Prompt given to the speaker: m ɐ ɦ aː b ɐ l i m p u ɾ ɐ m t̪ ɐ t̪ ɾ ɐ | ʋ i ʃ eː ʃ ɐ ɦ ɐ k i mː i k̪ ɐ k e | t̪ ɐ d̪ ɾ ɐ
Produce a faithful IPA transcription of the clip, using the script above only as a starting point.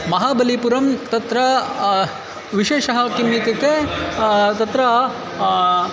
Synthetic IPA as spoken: m ɐ ɦ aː b ɐ l i p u ɾ ɐ m t̪ ɐ t̪ ɾ ɐ | ʋ i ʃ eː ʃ ɐ ɦ ɐ k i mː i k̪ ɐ k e | t̪ ɐ t̪ ɾ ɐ